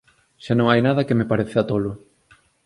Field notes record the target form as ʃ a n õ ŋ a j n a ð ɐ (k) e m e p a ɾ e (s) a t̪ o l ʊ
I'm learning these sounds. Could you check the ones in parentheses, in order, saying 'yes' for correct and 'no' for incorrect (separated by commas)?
yes, no